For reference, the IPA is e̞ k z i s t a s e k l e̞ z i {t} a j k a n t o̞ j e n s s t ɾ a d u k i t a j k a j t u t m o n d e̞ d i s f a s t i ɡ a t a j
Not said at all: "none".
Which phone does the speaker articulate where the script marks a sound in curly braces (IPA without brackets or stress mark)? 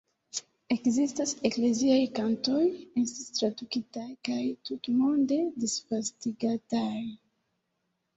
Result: none